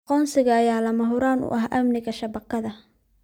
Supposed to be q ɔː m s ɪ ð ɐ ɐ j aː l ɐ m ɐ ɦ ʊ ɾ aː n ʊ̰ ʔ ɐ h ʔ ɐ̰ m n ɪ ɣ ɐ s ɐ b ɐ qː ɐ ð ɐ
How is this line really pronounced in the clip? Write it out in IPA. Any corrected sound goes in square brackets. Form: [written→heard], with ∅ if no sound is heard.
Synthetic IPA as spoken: q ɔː [m→n] s ɪ [ð→ɣ] ɐ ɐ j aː l ɐ m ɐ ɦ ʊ ɾ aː n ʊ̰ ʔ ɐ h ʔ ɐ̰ m n ɪ ɣ ɐ [s→ʃ] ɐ b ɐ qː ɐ ð ɐ